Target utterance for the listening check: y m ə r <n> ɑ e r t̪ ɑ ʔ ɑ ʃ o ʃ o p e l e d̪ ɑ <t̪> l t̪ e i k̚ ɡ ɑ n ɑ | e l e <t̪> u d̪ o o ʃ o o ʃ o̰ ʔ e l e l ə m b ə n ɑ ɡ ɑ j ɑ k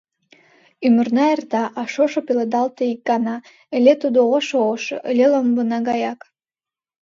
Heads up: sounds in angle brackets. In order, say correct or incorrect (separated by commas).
correct, incorrect, correct